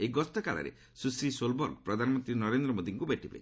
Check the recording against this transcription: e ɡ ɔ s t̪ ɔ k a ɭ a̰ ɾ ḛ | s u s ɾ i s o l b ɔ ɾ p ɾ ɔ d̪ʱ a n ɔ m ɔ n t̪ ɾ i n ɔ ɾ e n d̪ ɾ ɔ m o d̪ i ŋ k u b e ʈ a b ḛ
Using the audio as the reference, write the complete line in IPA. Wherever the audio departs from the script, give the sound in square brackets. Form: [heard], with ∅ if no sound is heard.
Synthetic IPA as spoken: e ɡ ɔ s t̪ ɔ k a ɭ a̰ ɾ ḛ | s u s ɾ i s o l b ɔ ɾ p ɾ ɔ d̪ʱ a n ɔ m ɔ n t̪ ɾ i n ɔ ɾ e n d̪ ɾ ɔ m o d̪ i ŋ k u b e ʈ [i] b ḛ